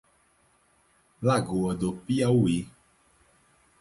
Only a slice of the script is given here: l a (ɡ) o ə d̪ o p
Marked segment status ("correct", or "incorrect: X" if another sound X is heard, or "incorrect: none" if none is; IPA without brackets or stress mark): correct